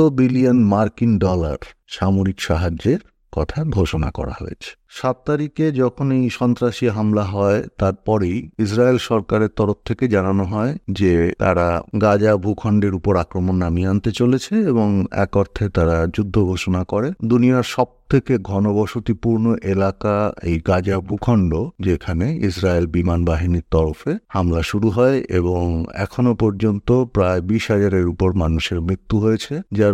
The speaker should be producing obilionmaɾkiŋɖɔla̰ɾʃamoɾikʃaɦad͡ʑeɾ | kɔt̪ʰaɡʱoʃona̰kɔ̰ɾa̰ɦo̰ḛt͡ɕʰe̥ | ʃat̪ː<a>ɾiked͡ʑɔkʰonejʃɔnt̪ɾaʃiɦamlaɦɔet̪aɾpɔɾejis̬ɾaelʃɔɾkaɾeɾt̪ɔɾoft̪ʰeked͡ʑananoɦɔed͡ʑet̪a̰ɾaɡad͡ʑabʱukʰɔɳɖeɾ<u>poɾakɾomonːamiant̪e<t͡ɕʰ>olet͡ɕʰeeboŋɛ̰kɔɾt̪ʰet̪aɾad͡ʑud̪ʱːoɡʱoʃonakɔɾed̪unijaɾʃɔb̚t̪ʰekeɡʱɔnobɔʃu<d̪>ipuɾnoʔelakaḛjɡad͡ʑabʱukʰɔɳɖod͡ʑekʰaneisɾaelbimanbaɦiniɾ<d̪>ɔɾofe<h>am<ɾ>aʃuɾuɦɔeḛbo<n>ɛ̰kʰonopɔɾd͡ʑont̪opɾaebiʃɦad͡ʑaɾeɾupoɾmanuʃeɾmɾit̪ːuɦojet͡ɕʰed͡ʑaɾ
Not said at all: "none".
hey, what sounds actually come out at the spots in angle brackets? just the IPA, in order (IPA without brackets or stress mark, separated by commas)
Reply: a, u, t͡ɕ, t̪, t̪, h, l, ŋ